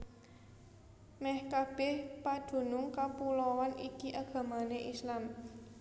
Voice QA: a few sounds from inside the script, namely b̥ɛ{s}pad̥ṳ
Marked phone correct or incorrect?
incorrect